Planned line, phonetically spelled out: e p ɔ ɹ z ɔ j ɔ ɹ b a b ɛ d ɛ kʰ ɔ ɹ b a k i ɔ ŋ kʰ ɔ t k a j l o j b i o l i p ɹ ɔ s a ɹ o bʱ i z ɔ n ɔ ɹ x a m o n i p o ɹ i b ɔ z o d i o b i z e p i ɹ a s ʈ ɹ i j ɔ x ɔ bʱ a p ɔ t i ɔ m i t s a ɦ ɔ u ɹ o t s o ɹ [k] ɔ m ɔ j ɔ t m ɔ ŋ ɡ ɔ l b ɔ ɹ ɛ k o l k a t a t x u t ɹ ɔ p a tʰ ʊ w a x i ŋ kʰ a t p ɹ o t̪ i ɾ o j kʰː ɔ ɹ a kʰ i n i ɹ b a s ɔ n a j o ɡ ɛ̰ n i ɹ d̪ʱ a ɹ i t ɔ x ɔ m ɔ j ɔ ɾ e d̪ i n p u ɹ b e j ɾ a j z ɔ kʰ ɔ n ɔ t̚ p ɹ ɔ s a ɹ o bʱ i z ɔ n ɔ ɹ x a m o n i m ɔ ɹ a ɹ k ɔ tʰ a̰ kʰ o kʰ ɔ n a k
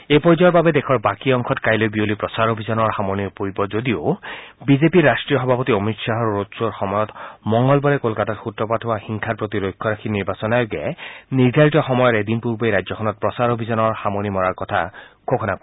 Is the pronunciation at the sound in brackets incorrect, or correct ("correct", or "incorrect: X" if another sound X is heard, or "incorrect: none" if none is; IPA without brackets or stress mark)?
incorrect: x